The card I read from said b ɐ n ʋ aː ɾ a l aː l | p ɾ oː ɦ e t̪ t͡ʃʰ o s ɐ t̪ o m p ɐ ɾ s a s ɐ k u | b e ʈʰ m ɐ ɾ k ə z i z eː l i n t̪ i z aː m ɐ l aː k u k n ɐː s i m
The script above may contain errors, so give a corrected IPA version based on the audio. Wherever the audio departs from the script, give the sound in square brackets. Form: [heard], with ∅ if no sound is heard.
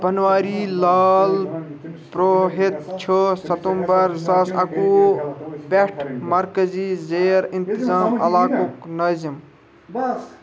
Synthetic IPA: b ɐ n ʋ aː ɾ [i] l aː l | p ɾ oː ɦ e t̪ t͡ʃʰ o s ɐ t̪ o m [b] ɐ ɾ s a s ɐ k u | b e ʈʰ m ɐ ɾ k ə z i z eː [ɾ] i n t̪ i z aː m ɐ l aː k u k n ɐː [z] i m

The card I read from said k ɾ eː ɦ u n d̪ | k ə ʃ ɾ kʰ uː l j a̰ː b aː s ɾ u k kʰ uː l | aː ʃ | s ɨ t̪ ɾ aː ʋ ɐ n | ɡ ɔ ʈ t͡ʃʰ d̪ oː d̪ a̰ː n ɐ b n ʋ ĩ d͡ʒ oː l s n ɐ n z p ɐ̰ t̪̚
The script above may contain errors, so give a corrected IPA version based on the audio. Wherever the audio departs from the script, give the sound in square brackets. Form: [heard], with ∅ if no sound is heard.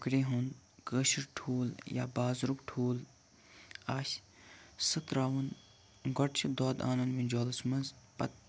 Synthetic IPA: k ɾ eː ɦ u n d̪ | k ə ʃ ɾ [ʈʰ] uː l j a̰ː b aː [z] ɾ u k [ʈʰ] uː l | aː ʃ | s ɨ t̪ ɾ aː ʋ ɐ n | ɡ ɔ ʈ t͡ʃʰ d̪ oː d̪ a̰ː n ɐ [∅] n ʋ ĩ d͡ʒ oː l s [m] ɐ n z p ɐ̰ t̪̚

